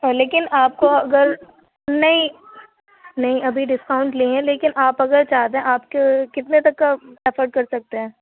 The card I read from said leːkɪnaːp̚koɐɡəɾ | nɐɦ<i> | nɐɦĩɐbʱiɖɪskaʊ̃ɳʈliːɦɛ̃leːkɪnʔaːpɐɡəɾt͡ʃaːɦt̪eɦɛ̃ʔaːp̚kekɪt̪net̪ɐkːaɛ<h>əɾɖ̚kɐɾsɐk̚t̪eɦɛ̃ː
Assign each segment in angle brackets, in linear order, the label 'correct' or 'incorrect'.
incorrect, incorrect

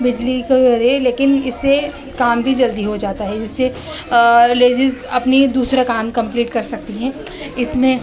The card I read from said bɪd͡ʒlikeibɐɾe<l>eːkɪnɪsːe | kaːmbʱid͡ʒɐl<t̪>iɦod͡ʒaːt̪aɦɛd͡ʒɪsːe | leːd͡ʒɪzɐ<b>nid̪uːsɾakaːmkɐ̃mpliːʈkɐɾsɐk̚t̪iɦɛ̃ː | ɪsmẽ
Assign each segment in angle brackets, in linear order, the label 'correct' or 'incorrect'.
correct, incorrect, incorrect

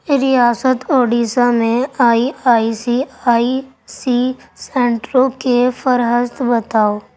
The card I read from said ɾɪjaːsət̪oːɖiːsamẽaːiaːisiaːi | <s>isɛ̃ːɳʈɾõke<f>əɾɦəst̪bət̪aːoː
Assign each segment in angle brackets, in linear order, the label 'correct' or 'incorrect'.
correct, correct

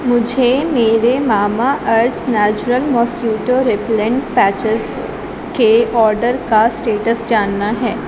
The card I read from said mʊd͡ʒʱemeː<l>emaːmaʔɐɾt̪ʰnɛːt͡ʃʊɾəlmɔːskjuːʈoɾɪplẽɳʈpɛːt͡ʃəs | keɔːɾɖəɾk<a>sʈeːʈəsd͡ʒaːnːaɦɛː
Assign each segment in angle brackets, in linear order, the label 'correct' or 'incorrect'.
incorrect, correct

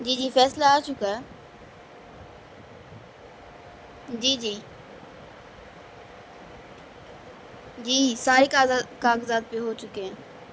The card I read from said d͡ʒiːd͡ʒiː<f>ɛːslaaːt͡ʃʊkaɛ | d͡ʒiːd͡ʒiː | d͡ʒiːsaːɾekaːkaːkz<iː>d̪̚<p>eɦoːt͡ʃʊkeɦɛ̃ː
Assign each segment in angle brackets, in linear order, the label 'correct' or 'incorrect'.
correct, incorrect, correct

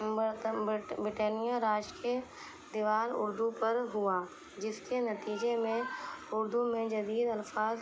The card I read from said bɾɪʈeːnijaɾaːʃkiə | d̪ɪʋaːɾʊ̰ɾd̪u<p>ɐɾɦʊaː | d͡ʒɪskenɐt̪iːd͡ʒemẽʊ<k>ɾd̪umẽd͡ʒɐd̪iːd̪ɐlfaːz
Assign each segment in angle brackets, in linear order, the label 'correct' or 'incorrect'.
correct, incorrect

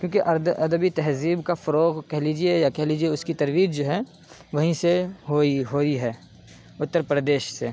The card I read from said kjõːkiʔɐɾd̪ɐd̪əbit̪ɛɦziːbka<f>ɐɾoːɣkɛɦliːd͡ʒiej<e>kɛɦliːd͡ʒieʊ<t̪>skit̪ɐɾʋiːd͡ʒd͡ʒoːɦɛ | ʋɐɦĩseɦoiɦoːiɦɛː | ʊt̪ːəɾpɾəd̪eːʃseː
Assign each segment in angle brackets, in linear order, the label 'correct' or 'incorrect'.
correct, incorrect, incorrect

